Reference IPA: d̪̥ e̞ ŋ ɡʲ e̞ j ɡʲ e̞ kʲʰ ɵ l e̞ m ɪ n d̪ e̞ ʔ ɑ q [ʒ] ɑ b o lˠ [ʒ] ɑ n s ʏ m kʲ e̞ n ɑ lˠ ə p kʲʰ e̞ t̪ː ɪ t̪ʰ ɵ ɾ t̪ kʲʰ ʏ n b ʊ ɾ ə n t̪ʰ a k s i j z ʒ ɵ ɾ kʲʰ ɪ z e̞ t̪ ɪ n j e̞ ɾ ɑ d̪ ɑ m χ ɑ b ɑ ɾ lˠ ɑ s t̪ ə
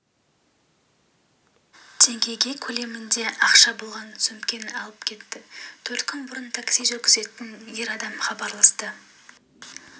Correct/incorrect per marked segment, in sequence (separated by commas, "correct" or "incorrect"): incorrect, incorrect